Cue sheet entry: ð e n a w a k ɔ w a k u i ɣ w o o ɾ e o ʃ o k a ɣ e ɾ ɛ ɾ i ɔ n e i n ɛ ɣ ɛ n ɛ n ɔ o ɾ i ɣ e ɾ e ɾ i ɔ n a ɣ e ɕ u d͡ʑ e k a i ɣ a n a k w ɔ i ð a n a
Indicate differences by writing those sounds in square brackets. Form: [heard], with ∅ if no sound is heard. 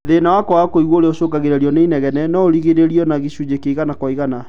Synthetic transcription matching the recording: ð e n a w a k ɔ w a k [o] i ɣ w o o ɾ e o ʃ o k a ɣ e ɾ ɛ ɾ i ɔ n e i n ɛ ɣ ɛ n ɛ n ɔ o ɾ i ɣ e ɾ e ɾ i ɔ n a ɣ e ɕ u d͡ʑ e k [e] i ɣ a n a k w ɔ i [ɣ] a n a